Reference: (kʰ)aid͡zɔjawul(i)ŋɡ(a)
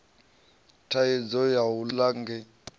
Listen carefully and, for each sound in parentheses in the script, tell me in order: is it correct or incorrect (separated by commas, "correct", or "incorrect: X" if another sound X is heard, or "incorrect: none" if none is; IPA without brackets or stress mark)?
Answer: incorrect: tʰ, incorrect: a, incorrect: ɛ